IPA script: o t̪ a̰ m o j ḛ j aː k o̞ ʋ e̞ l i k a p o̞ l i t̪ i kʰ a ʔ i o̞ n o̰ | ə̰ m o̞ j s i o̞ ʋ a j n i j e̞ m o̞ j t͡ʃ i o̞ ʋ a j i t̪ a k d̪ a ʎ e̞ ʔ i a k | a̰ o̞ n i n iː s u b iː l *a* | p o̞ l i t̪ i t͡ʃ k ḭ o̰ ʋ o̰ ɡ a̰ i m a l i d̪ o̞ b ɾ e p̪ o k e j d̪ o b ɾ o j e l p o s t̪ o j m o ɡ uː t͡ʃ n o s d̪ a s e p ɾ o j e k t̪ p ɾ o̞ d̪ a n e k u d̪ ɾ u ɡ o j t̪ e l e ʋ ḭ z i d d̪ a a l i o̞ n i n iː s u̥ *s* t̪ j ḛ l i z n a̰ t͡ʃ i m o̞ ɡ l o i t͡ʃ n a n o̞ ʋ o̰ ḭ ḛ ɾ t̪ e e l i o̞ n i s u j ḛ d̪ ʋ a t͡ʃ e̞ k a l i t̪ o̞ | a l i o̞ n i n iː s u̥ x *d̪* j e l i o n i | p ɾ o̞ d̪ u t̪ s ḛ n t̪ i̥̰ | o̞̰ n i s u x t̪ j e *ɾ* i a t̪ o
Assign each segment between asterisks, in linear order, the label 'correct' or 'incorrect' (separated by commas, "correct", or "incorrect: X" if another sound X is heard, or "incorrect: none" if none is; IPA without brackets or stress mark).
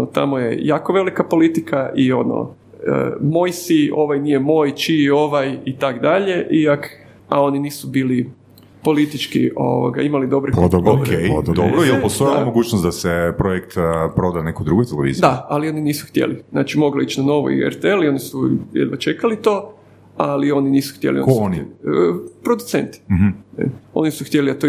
incorrect: i, incorrect: x, incorrect: t̪, incorrect: l